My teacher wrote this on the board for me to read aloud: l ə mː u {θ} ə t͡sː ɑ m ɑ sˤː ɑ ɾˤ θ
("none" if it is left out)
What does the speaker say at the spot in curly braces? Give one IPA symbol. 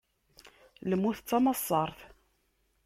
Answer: θ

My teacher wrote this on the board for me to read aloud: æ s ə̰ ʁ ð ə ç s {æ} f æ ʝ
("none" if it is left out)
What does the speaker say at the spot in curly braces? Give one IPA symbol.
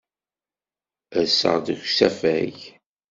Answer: æ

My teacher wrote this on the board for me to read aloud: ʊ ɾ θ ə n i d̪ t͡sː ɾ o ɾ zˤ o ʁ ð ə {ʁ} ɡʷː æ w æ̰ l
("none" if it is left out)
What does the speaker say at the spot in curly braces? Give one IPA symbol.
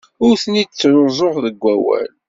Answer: none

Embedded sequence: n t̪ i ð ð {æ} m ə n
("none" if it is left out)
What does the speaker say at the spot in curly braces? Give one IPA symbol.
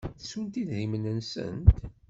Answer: i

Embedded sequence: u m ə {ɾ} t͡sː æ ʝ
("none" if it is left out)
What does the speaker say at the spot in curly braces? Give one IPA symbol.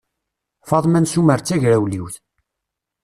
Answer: ɾ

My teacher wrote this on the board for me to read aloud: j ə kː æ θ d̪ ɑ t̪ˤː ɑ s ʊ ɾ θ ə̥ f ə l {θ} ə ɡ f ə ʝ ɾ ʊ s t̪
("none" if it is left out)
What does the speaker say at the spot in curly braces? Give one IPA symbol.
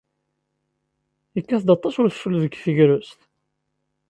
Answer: ð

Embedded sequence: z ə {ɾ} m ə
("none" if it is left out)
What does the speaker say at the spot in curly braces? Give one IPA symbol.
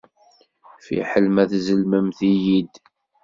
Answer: l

